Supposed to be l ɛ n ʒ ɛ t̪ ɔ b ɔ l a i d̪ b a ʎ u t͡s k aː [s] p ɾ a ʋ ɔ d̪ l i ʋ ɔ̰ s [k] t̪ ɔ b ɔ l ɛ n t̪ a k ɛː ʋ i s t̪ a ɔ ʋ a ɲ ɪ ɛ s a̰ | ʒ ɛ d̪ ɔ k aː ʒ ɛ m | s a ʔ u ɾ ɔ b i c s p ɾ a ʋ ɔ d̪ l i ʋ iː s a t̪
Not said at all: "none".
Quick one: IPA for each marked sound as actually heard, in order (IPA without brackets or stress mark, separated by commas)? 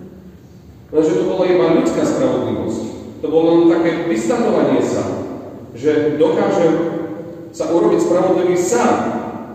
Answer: s, c